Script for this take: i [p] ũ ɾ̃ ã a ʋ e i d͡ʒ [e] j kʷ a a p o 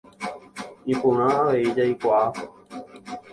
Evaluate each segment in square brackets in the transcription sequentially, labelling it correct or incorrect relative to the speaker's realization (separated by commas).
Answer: correct, incorrect